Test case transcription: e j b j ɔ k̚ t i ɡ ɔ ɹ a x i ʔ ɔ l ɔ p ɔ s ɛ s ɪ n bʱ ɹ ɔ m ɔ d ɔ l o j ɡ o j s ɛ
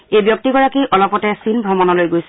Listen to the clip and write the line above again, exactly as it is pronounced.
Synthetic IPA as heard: e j b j ɔ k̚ t i ɡ ɔ ɹ a k i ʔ ɔ l ɔ p ɔ t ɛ s i n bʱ ɹ ɔ m ɔ n ɔ l o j ɡ o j s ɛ